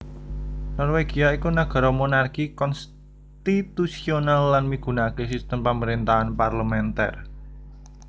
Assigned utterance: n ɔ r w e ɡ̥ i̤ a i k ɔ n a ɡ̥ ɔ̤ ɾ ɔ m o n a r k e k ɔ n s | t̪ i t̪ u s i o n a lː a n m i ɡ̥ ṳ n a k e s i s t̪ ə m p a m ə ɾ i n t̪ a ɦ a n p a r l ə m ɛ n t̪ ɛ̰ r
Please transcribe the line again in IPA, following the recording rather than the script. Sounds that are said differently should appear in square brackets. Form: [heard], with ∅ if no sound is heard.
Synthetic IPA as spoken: n ɔ r w e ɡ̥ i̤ a i k [u] n a ɡ̥ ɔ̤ ɾ ɔ m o n a r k [i] k ɔ n s | t̪ i t̪ u s i o n a lː a n m i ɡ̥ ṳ n a k e s i s t̪ ə m p a m ə ɾ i n t̪ a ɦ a n p a r l ə m ɛ n t̪ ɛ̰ r